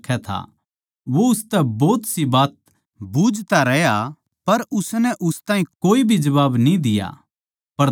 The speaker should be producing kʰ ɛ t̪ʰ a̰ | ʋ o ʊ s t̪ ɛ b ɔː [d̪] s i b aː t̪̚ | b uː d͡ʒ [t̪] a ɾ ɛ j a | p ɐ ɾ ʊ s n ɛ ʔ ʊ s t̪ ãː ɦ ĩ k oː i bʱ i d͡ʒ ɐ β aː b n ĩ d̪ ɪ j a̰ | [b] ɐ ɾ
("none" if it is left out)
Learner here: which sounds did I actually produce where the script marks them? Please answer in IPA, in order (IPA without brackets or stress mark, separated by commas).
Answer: t̪, t̪, p